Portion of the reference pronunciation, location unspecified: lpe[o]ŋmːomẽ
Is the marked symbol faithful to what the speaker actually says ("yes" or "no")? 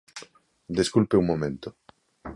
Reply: no